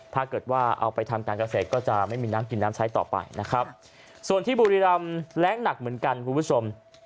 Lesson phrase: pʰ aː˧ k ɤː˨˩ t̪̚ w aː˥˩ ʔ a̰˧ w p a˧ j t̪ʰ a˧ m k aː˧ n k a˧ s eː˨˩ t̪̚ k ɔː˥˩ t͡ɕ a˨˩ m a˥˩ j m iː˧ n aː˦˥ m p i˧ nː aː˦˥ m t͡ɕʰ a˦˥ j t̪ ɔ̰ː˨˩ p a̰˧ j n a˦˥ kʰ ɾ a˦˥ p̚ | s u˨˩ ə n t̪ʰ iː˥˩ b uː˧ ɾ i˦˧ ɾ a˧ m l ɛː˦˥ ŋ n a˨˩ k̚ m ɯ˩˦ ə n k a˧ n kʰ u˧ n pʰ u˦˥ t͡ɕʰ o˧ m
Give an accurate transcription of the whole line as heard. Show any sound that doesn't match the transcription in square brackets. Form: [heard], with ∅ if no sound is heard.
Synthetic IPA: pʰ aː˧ k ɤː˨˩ t̪̚ w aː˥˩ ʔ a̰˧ w p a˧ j t̪ʰ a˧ m k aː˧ n k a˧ s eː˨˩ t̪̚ k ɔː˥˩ t͡ɕ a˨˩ m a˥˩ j m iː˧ n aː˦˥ m [k] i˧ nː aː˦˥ m t͡ɕʰ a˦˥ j t̪ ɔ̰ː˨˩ p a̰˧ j n a˦˥ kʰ ɾ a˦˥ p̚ | s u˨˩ ə n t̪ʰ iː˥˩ b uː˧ ɾ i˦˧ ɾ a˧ m l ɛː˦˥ ŋ n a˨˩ k̚ m ɯ˩˦ ə n k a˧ n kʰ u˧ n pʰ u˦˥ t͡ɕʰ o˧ m